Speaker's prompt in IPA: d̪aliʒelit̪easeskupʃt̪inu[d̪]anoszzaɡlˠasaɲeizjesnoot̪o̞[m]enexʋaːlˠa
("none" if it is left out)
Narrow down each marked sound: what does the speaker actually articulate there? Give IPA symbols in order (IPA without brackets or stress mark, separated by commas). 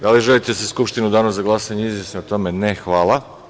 d̪, m